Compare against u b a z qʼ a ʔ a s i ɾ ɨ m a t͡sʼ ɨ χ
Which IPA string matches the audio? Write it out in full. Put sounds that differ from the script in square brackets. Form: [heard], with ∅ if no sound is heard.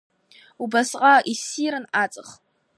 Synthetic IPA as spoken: u b a [s] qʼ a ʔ [i] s i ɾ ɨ [n] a t͡sʼ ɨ χ